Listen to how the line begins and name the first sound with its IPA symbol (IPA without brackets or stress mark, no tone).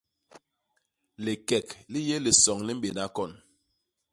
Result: l